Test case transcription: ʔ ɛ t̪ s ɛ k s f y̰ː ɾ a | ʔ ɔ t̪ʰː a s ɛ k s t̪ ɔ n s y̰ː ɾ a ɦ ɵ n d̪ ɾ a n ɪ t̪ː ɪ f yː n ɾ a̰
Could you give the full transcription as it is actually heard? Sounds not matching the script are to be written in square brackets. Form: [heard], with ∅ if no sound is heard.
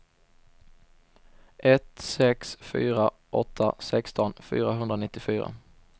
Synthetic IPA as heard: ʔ ɛ t̪ s ɛ k s f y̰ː ɾ a | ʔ ɔ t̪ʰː a s ɛ k s t̪ ɔ n [f] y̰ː ɾ a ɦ ɵ n d̪ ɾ a n ɪ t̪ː ɪ f yː [∅] ɾ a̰